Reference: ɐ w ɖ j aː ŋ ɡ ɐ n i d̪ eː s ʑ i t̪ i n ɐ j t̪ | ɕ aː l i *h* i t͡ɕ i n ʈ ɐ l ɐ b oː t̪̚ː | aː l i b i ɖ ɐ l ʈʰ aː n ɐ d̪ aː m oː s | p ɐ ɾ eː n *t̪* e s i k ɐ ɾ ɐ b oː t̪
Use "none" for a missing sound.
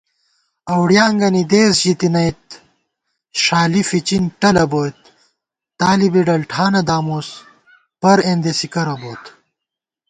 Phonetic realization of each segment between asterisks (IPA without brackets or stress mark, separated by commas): f, d̪